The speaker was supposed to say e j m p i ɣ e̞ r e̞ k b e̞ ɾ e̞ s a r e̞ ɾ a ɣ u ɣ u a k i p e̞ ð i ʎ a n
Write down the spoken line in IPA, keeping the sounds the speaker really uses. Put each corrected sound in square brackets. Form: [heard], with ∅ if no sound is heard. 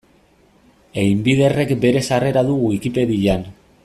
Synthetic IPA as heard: e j m [b] i [ð] e̞ r e̞ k b e̞ ɾ e̞ s a r e̞ ɾ a [ð] u ɣ u [i] k i p e̞ ð i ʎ a n